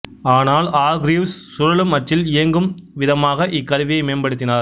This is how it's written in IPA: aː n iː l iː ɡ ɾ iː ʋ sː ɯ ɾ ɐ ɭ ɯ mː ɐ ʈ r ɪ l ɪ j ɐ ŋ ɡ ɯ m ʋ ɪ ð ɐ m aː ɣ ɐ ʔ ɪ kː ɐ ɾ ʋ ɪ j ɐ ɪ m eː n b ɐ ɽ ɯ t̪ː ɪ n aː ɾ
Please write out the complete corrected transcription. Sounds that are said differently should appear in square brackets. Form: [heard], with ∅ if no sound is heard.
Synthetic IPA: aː n [aː] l [aː] ɡ ɾ iː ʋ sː [ʊ] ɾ ɐ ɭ ɯ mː ɐ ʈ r ɪ l ɪ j ɐ ŋ ɡ ɯ m ʋ ɪ ð ɐ m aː ɣ ɐ ʔ ɪ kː ɐ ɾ ʋ ɪ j ɐ ɪ m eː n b ɐ ɽ ɯ t̪ː ɪ n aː ɾ